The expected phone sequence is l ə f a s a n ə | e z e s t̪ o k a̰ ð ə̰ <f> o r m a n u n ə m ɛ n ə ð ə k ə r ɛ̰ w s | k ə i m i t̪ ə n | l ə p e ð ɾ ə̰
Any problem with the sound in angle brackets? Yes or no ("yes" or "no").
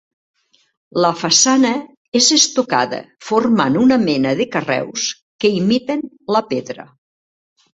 no